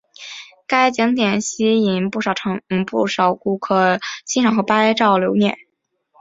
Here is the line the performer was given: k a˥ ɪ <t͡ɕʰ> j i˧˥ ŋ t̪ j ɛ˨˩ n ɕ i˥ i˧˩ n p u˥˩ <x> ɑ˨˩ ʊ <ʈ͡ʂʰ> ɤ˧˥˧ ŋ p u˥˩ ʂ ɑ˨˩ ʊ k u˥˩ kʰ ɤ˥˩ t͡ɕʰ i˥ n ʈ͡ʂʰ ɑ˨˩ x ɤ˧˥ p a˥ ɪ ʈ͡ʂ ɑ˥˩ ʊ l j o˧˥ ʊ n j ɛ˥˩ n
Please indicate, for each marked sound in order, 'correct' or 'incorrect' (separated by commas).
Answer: incorrect, incorrect, correct